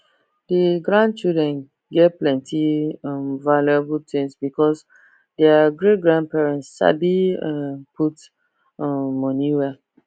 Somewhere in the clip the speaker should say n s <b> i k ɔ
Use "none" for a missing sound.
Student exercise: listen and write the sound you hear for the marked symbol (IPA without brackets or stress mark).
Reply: b